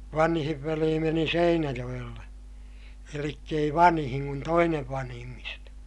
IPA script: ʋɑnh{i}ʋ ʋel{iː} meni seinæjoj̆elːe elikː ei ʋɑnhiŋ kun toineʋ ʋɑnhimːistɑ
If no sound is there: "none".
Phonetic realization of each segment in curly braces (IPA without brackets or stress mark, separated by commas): i, iː